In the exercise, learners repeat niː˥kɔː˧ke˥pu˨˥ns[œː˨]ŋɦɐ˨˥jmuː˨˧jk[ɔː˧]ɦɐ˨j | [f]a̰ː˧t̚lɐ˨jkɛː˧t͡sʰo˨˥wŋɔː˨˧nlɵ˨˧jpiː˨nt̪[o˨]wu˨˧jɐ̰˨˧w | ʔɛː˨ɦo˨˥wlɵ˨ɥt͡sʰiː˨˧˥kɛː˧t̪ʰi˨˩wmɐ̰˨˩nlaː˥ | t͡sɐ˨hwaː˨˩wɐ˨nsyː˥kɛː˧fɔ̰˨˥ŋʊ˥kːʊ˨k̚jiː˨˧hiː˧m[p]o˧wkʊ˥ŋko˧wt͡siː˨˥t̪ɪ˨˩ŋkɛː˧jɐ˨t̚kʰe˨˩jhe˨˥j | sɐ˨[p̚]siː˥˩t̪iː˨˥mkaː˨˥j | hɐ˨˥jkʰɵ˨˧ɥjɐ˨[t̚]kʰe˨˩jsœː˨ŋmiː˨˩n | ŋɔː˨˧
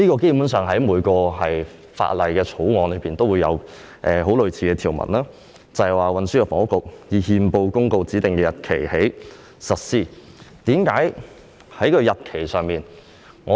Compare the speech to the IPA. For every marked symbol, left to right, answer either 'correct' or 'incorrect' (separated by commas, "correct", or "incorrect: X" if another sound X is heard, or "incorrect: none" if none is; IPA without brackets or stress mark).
correct, correct, correct, incorrect: o˥, correct, incorrect: t̚, correct